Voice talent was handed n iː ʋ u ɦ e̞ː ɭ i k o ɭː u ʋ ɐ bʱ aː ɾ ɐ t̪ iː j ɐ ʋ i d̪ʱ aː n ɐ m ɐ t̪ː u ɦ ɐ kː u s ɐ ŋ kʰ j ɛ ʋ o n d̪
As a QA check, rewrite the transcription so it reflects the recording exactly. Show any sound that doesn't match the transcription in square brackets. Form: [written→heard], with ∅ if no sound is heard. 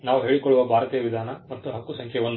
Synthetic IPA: n [iː→aː] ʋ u ɦ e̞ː ɭ i k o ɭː u ʋ ɐ bʱ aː ɾ ɐ t̪ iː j ɐ ʋ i d̪ʱ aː n ɐ m ɐ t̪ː u ɦ ɐ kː u s ɐ ŋ kʰ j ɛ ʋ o n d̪